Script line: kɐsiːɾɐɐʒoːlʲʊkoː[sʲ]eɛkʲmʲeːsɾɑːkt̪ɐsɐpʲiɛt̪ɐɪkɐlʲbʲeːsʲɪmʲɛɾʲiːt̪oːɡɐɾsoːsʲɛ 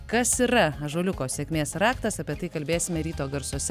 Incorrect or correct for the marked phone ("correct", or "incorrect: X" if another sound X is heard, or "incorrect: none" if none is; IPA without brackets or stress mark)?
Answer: correct